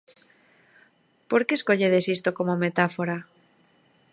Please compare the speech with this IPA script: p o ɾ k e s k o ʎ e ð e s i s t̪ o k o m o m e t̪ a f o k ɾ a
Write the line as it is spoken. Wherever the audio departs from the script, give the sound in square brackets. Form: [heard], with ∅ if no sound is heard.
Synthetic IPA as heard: p o ɾ k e s k o ʎ e ð e s i s t̪ o k o m o m e t̪ a f o [∅] ɾ a